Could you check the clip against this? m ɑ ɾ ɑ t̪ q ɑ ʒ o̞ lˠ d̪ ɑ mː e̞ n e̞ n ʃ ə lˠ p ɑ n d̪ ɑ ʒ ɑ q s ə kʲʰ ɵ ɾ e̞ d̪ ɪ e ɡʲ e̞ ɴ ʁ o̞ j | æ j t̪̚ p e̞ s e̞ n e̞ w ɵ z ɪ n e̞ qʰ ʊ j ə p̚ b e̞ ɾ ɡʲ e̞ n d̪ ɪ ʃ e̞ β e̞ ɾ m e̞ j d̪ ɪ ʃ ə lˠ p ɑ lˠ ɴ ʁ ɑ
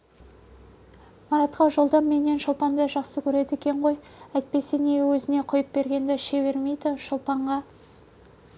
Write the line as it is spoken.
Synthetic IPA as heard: m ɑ ɾ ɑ t̪ q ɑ ʒ o̞ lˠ d̪ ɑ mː e̞ n e̞ n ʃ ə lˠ p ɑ n d̪ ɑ ʒ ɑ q s ə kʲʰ ɵ ɾ e̞ d̪ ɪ e kʲ e̞ ɴ ʁ o̞ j | æ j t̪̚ p e̞ s e̞ n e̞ w ɵ z ɪ n e̞ qʰ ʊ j ə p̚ b e̞ ɾ ɡʲ e̞ n d̪ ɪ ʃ e̞ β e̞ ɾ m e̞ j d̪ ɪ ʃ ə lˠ p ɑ ɴ ʁ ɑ